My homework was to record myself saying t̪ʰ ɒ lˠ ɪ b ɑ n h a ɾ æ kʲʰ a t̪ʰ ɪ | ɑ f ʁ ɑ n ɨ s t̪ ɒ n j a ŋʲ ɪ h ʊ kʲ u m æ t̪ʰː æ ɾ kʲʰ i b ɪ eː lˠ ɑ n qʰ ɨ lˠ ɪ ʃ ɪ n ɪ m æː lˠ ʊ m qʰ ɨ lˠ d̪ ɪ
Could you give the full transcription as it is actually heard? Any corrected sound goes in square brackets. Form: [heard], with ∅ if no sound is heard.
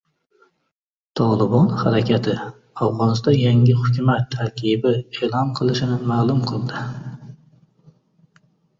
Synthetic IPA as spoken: t̪ʰ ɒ lˠ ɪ b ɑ n h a ɾ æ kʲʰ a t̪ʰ ɪ | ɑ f ʁ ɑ n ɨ s t̪ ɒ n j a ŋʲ ɪ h ʊ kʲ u m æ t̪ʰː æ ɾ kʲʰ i b ɪ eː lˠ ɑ n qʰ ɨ lˠ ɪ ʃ ɪ n ɪ m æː lˠ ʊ m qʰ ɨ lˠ d̪ ɪ

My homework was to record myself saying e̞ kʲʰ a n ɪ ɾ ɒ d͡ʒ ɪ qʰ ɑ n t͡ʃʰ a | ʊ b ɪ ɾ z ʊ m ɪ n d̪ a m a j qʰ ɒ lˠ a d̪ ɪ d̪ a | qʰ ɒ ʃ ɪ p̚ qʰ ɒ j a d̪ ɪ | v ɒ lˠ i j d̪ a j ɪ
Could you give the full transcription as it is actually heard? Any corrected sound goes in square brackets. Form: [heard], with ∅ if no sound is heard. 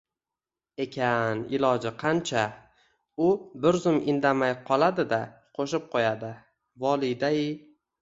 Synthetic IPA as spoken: e̞ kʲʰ a n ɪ [l] ɒ d͡ʒ ɪ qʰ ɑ n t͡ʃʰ a | ʊ b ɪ ɾ z ʊ m ɪ n d̪ a m a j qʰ ɒ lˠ a d̪ ɪ d̪ a | qʰ [o] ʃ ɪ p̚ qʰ [o] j a d̪ ɪ | v ɒ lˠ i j d̪ a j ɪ

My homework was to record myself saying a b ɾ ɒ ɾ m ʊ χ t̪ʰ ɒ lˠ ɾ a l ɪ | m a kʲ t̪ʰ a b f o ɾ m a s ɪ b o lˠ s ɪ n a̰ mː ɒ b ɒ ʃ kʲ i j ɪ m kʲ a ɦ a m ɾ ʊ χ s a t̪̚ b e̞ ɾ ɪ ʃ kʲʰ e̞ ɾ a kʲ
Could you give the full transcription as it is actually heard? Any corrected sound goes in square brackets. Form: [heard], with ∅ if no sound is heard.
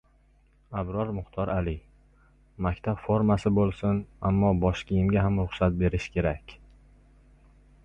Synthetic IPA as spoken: a b ɾ ɒ ɾ m ʊ χ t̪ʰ ɒ [∅] ɾ a l ɪ | m a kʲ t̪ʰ a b f o ɾ m a s ɪ b o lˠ s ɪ n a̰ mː ɒ b ɒ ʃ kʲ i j ɪ m [ɡʲ] a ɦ a m ɾ ʊ χ s a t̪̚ b e̞ ɾ ɪ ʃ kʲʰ e̞ ɾ a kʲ

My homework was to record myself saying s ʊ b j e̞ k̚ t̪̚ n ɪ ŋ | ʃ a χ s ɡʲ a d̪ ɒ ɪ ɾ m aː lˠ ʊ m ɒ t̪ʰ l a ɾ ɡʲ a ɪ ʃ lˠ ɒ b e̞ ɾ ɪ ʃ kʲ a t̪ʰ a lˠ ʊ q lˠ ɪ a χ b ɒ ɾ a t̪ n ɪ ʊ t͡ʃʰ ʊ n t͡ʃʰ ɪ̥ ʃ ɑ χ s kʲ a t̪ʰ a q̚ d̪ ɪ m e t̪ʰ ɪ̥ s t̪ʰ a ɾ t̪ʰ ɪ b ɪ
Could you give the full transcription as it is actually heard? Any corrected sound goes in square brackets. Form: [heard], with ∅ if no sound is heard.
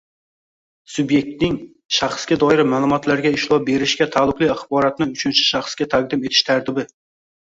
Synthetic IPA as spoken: s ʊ b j e̞ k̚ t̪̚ n ɪ ŋ | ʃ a χ s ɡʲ a d̪ ɒ ɪ ɾ m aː lˠ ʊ m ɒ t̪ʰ l a ɾ ɡʲ a ɪ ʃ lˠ ɒ b e̞ ɾ ɪ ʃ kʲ a t̪ʰ a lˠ ʊ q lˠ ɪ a χ b ɒ ɾ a t̪ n ɪ ʊ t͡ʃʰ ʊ n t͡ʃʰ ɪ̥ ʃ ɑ χ s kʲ a t̪ʰ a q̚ d̪ ɪ m e t̪ʰ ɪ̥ [ʃ] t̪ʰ a ɾ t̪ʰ ɪ b ɪ

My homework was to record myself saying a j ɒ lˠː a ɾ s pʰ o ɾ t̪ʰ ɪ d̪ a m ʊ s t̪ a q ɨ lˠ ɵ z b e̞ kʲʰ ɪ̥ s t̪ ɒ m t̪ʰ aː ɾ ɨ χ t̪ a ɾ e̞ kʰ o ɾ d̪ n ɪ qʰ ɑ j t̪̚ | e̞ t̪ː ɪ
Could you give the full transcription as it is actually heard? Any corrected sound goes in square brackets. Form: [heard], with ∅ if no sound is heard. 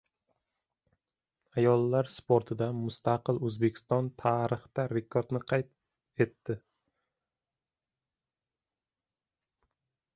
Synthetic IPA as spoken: a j ɒ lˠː a ɾ s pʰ o ɾ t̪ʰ ɪ d̪ a m ʊ s t̪ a q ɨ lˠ ɵ z b e̞ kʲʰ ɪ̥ s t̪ ɒ [n] t̪ʰ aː ɾ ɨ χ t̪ a ɾ e̞ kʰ o ɾ d̪ n ɪ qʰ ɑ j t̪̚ | e̞ t̪ː ɪ

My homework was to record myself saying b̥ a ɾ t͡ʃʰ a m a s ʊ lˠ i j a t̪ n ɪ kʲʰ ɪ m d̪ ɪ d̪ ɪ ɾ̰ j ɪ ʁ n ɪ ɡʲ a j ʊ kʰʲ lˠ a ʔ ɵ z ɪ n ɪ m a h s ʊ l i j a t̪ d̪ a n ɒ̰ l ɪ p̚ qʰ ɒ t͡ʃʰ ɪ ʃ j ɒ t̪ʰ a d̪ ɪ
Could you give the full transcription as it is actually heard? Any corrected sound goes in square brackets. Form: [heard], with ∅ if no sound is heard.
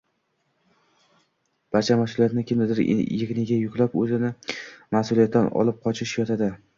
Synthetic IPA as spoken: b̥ a ɾ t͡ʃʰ a m a s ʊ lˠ i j a t̪ n ɪ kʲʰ ɪ m d̪ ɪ d̪ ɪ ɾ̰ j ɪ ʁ n ɪ ɡʲ a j ʊ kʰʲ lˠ a [p] ɵ z ɪ n ɪ m a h s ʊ l i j a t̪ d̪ a n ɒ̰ l ɪ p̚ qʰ ɒ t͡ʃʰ ɪ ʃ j ɒ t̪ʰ a d̪ ɪ

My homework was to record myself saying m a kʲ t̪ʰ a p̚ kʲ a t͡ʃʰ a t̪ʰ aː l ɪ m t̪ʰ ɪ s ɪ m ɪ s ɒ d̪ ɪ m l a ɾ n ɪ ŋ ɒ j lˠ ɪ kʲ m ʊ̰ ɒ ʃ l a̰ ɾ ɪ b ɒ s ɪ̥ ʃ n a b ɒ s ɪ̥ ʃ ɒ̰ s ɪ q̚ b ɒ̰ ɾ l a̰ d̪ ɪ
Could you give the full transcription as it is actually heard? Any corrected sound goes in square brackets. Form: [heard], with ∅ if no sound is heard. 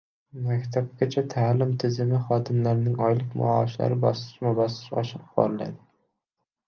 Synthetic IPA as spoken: m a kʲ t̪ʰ a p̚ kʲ a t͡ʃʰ a t̪ʰ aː l ɪ m t̪ʰ ɪ [z] ɪ m ɪ [χ] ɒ d̪ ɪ m l a ɾ n ɪ ŋ ɒ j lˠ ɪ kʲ m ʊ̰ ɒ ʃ l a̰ ɾ ɪ b ɒ s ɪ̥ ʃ [m] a b ɒ s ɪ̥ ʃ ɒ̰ [ʃ] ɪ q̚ b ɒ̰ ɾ l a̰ d̪ ɪ

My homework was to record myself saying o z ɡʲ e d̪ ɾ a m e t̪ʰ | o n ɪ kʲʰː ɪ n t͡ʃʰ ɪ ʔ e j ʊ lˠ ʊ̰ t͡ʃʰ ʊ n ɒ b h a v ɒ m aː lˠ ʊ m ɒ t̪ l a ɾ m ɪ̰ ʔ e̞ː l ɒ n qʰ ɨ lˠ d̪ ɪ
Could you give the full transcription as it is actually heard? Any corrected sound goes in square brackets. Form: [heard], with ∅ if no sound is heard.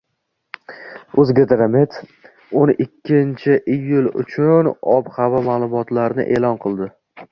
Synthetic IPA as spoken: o z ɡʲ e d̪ ɾ a m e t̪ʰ | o n ɪ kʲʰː ɪ n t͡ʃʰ ɪ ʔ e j ʊ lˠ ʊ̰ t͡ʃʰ ʊ n ɒ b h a v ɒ m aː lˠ ʊ m ɒ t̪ l a ɾ [n] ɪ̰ ʔ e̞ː l ɒ n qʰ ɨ lˠ d̪ ɪ

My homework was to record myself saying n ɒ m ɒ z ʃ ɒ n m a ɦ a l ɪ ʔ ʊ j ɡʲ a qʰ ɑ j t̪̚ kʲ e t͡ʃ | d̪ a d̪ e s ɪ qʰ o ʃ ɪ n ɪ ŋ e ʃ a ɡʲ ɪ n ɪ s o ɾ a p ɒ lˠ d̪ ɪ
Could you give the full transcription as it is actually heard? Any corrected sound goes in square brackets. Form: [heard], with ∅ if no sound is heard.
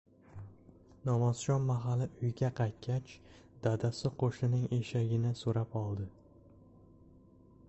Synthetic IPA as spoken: n ɒ m ɒ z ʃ ɒ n m a ɦ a l ɪ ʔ ʊ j ɡʲ a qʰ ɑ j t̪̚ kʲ [a] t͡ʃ | d̪ a d̪ [a] s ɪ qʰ o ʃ ɪ n ɪ ŋ e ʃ a ɡʲ ɪ n ɪ s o ɾ a p ɒ lˠ d̪ ɪ

